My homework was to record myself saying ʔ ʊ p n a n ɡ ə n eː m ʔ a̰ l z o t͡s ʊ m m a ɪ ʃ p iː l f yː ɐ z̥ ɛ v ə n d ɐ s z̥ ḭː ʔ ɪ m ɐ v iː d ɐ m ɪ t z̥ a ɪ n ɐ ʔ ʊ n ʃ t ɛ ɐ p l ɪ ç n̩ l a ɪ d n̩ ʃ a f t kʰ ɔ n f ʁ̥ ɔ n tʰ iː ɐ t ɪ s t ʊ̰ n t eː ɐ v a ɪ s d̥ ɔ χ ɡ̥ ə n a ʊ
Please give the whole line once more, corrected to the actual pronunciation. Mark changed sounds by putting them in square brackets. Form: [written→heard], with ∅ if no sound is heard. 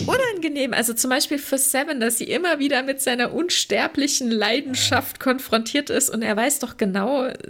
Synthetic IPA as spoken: ʔ ʊ [p→∅] n a n ɡ ə n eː m ʔ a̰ l z o t͡s ʊ m [m→b] a ɪ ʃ p iː l f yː ɐ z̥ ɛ v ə n d [ɐ→a] s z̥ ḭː ʔ ɪ m ɐ v iː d ɐ m ɪ t z̥ a ɪ n ɐ ʔ ʊ n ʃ t ɛ ɐ p l ɪ ç n̩ l a ɪ d n̩ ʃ a f t kʰ ɔ n f ʁ̥ ɔ n tʰ iː ɐ t ɪ s t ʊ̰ n t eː ɐ v a ɪ s d̥ ɔ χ ɡ̥ ə n a ʊ